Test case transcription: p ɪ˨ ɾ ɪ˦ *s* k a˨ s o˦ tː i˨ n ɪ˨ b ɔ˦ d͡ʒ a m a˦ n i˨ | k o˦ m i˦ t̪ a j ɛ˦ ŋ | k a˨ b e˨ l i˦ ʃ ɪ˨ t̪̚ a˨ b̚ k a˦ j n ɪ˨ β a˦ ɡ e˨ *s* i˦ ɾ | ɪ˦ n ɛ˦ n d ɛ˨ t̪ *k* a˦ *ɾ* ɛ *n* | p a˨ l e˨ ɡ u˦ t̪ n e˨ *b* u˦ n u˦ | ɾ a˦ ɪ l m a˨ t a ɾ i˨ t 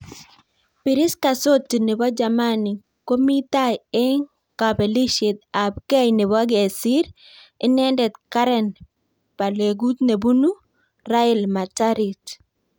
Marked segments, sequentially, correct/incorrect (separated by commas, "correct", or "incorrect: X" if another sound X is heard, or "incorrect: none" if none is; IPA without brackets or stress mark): correct, correct, correct, correct, correct, correct